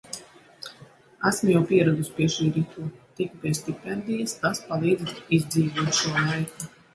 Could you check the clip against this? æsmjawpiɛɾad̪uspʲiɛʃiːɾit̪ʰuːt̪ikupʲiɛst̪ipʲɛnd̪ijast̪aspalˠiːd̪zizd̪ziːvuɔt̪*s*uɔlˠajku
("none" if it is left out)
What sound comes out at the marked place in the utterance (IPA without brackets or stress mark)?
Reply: ʃ